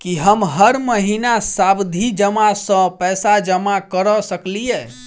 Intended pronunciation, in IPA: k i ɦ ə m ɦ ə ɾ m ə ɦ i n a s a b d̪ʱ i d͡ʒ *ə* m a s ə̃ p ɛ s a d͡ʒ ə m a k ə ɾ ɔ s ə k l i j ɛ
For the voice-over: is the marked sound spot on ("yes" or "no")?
yes